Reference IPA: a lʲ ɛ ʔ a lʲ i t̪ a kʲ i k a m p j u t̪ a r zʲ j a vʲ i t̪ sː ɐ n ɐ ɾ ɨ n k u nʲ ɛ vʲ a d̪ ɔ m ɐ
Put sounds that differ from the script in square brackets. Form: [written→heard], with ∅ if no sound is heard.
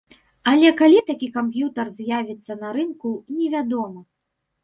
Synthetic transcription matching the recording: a lʲ ɛ [ʔ→k] a lʲ i t̪ a kʲ i k a m p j u t̪ [a→ɐ] r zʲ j a vʲ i t̪ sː ɐ n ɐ ɾ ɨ n k u nʲ ɛ vʲ a d̪ ɔ m ɐ

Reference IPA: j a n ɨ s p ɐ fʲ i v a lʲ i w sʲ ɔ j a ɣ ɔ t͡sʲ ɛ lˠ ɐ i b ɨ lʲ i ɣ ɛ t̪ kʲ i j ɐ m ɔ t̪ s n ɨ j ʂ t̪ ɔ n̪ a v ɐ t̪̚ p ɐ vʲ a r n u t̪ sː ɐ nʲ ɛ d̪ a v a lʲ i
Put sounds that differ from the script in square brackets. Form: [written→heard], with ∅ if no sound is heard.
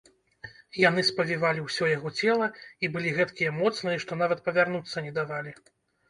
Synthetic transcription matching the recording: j a n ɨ s p ɐ [fʲ→vʲ] i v a lʲ i w sʲ ɔ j a ɣ ɔ t͡sʲ ɛ lˠ ɐ i b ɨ lʲ i ɣ ɛ t̪ kʲ i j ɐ m ɔ t̪ s n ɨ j ʂ t̪ ɔ n̪ a v ɐ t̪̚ p ɐ vʲ a r n u t̪ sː ɐ nʲ ɛ d̪ a v a lʲ i

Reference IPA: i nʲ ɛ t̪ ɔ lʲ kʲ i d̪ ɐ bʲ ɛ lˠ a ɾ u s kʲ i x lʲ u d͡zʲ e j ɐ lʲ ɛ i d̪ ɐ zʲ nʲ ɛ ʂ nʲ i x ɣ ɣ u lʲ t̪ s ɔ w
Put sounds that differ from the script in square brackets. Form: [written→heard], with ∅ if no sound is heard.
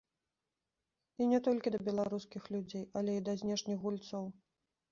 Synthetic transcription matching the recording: i nʲ ɛ t̪ ɔ lʲ kʲ i d̪ ɐ bʲ ɛ lˠ a ɾ u s kʲ i x lʲ u d͡zʲ e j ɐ lʲ ɛ i d̪ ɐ zʲ nʲ ɛ ʂ nʲ i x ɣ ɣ u lʲ t̪ s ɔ w

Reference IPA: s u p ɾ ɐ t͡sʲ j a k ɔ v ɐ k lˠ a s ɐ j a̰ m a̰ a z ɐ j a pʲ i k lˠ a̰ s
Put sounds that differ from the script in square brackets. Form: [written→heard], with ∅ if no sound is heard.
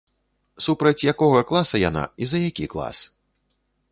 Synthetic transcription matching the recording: s u p ɾ ɐ t͡sʲ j a k ɔ [v→ɣ] ɐ k lˠ a s ɐ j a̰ [m→n] a̰ [a→i] z ɐ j a [pʲ→kʲ] i k lˠ a̰ s

